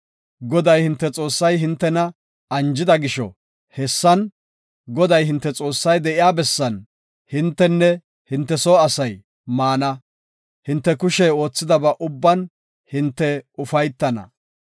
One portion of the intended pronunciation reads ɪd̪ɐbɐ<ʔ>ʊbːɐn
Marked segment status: correct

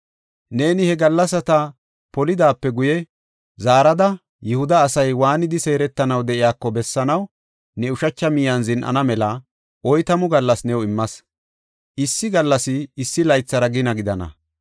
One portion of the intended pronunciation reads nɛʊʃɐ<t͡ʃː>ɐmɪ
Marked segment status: correct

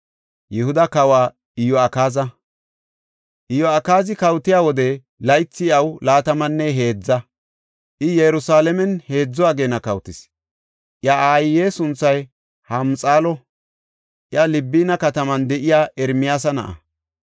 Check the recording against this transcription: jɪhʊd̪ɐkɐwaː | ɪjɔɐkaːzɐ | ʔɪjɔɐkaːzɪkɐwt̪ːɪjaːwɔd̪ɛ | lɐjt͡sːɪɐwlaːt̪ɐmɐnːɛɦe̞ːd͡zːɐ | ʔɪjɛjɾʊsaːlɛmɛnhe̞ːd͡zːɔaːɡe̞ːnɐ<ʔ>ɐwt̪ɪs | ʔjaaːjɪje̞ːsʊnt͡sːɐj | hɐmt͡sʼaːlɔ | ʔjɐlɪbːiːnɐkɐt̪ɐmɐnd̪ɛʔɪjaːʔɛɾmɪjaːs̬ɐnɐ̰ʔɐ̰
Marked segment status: incorrect: k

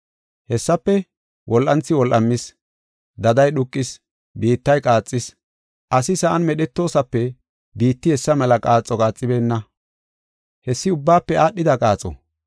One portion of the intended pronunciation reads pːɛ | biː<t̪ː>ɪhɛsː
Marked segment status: correct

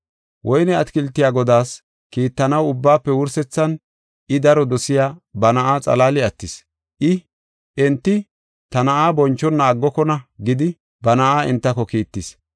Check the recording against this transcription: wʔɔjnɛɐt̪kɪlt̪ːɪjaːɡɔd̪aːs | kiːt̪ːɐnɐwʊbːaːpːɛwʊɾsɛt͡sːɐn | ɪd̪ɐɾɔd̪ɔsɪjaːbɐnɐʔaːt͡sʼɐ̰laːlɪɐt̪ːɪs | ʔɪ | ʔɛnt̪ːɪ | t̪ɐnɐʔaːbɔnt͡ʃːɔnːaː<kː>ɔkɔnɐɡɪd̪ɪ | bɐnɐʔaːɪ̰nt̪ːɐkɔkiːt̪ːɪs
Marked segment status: incorrect: ɡː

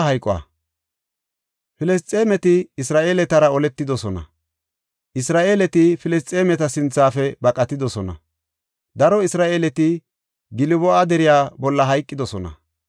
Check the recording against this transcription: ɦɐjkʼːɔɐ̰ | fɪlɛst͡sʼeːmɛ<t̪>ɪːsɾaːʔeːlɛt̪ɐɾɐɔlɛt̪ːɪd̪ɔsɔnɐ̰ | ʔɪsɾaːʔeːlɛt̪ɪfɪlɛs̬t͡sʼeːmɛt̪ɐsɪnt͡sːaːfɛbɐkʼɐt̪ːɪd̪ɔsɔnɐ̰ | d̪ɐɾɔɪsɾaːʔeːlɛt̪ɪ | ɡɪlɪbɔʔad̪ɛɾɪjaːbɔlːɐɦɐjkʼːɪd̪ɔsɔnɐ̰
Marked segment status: correct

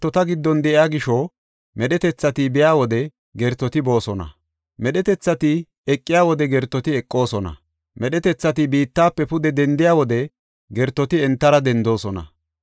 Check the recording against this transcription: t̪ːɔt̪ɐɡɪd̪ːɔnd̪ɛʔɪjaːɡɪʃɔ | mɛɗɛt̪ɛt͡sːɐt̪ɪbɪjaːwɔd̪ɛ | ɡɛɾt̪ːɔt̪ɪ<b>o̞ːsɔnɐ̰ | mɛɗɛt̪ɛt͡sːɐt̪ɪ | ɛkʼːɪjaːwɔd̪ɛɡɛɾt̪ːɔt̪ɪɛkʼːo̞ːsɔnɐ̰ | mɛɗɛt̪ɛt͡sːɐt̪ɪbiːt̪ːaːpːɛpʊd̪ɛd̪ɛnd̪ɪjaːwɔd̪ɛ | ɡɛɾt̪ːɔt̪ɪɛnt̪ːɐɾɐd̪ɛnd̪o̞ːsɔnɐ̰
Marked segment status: correct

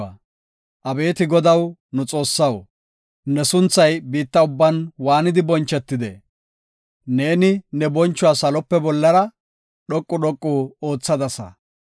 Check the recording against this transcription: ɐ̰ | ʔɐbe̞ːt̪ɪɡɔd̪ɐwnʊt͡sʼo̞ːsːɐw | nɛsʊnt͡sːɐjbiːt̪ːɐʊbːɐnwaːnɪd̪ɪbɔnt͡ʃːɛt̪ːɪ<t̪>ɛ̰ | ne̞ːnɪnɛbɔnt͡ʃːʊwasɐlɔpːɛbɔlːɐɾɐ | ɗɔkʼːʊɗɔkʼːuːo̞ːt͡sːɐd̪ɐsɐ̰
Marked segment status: incorrect: d̪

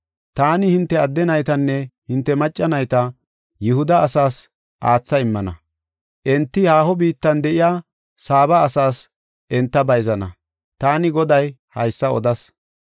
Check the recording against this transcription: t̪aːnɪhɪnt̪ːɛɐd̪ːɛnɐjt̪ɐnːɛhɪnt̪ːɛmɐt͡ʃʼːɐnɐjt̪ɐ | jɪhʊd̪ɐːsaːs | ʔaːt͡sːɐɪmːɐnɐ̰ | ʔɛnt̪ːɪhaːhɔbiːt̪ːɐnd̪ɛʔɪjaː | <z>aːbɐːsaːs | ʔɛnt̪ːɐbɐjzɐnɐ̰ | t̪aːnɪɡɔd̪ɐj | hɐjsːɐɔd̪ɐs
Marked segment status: incorrect: s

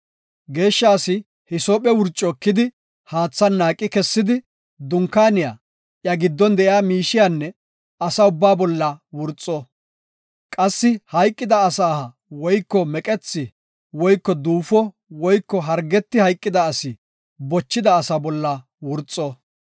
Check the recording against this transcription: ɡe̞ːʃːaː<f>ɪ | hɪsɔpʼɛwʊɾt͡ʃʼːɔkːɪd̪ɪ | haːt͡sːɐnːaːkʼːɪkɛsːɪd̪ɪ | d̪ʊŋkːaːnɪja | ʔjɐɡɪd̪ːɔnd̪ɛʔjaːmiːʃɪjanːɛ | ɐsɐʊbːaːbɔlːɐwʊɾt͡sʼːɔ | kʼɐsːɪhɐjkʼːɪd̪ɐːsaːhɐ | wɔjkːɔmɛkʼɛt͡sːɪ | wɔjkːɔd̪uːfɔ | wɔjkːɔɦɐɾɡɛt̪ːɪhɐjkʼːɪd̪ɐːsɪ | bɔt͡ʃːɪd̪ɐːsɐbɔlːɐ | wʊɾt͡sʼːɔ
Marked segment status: incorrect: s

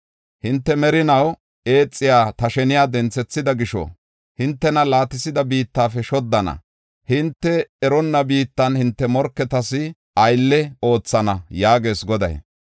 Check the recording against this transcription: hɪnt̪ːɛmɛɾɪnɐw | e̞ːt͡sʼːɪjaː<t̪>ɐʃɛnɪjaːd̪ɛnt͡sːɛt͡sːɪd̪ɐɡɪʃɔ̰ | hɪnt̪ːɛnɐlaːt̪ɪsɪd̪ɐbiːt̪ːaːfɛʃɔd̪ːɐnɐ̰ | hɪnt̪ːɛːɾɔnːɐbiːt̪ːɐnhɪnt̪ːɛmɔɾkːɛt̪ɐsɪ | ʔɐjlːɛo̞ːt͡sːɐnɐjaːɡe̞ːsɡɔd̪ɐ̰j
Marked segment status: correct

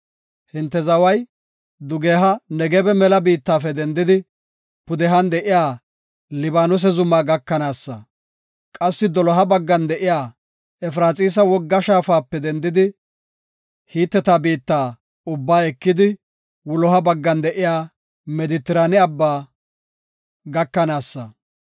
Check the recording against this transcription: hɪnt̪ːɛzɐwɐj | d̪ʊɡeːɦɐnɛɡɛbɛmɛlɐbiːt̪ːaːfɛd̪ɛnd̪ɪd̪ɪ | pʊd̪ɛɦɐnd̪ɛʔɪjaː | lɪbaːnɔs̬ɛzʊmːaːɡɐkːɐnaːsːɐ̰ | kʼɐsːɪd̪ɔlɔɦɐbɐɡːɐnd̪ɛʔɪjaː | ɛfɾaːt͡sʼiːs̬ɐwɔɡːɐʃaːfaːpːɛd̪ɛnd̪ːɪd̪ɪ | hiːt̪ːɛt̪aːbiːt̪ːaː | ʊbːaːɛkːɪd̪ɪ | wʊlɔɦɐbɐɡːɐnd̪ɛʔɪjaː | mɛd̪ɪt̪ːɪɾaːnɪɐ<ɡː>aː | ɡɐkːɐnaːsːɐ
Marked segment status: incorrect: bː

